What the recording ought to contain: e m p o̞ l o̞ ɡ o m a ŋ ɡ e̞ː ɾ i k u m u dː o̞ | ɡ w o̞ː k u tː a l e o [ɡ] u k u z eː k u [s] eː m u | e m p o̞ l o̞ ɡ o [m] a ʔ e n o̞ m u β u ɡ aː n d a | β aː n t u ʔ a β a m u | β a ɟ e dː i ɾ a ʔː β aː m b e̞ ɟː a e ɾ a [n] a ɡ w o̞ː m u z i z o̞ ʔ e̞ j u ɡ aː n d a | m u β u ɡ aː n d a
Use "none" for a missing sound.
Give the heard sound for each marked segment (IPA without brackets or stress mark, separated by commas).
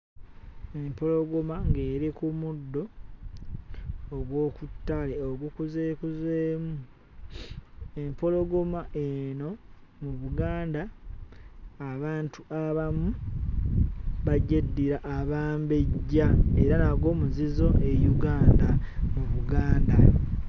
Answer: ɡ, z, m, n